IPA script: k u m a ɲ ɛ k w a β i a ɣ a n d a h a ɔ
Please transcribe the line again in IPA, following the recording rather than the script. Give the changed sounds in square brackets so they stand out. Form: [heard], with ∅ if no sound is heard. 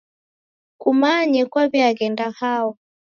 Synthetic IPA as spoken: k u m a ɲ ɛ k w a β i a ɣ [ɛ] n d a h a ɔ